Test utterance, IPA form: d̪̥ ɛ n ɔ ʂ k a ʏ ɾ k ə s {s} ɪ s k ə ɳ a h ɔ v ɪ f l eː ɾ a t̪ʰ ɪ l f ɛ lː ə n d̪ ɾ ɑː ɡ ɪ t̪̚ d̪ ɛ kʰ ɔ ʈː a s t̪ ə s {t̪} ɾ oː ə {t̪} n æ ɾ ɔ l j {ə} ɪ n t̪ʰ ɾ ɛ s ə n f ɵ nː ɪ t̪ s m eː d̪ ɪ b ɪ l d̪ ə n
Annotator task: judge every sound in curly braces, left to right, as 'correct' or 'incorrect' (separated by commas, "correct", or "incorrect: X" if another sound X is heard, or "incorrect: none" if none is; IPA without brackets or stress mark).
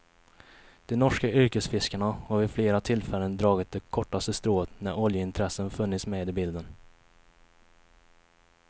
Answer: incorrect: f, correct, correct, correct